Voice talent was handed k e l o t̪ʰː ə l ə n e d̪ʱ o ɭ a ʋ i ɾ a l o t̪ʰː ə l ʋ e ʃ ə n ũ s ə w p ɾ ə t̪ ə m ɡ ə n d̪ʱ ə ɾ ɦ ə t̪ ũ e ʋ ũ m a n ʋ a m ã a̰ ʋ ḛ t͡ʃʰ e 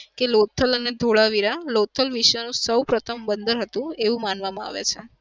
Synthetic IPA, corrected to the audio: k e l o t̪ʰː ə l ə n e d̪ʱ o ɭ a ʋ i ɾ a l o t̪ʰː ə l ʋ i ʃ ə n ũ s ə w p ɾ ə t̪ʰ ə m b ə n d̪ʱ ə ɾ ɦ ə t̪ ũ e ʋ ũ m a n ʋ a m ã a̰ ʋ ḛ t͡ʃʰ e

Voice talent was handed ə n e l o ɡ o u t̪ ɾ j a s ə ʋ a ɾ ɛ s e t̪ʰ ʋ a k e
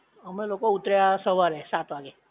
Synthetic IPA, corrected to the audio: ə m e l o k o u t̪ ɾ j a s ə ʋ a ɾ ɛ s a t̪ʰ ʋ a ɡ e

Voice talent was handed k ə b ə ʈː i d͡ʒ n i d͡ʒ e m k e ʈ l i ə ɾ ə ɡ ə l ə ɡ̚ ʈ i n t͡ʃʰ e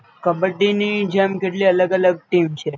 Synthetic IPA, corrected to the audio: k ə b ə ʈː i n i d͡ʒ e m k e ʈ l i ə l ə ɡ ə l ə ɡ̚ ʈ i m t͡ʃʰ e

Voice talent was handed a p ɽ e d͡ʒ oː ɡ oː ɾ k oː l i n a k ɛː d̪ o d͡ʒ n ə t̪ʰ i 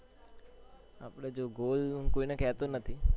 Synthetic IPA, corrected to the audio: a p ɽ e d͡ʒ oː ɡ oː l k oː i n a k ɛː t̪ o n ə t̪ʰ i

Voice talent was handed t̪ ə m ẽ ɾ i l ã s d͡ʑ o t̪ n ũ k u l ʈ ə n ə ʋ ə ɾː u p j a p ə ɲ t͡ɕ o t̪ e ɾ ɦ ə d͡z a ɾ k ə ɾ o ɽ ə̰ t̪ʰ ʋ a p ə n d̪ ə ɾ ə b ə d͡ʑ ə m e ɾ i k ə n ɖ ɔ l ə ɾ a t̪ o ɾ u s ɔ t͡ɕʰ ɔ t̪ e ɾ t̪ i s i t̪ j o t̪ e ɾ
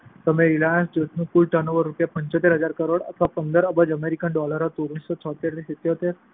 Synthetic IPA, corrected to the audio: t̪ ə m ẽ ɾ i l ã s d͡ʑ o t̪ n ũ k u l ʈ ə n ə ʋ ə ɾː u p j a p ə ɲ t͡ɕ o t̪ e ɾ ɦ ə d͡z a ɾ k ə ɾ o ɽ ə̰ t̪ʰ ʋ a p ə n d̪ ə ɾ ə b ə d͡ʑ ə m e ɾ i k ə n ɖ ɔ l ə ɾ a t̪ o ɾ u s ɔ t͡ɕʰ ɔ t̪ e ɾ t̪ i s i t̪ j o t̪ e ɾ

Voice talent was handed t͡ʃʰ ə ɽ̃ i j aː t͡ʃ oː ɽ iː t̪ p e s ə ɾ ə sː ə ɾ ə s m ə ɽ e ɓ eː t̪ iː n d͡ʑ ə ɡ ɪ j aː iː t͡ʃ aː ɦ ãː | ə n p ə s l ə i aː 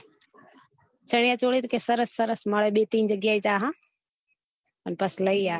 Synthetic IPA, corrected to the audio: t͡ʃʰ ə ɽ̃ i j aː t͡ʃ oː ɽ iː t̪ k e s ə ɾ ə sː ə ɾ ə s m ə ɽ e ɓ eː t̪ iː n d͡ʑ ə ɡ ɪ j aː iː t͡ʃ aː ɦ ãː | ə n p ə s l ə i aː

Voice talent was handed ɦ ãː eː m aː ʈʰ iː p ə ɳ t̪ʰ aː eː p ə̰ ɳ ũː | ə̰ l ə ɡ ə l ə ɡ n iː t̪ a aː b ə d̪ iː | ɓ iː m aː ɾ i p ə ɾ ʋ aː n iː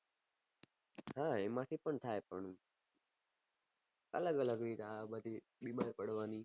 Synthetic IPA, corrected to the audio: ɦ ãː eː m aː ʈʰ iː p ə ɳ t̪ʰ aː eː p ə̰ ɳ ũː | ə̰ l ə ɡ ə l ə ɡ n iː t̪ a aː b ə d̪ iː | ɓ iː m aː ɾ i p ə ɽ ʋ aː n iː

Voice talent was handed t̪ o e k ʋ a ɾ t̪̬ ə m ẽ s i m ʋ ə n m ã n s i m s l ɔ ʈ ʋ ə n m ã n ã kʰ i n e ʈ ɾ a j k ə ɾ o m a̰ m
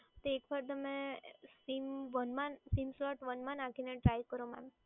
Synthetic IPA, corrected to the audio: t̪ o e k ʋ a ɾ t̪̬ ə m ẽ s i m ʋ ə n m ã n s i m s l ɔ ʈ ʋ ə n m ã n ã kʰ i n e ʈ ɾ a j k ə ɾ o m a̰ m

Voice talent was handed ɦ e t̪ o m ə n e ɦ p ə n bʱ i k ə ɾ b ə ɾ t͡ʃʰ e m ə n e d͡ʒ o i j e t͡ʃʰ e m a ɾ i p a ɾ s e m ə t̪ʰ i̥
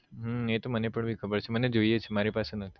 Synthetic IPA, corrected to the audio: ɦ e t̪ o m ə n e p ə ɳ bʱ i kʰ ə b ə ɾ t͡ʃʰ e m ə n e d͡ʒ o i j e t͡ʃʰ e m a ɾ i p a s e n ə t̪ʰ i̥

